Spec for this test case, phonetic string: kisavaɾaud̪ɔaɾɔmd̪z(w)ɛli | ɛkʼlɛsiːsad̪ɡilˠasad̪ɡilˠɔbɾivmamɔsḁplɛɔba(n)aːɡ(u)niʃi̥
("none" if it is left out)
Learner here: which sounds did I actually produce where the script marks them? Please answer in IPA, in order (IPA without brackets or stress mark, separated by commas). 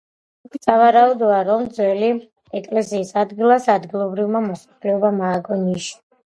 w, m, ɔ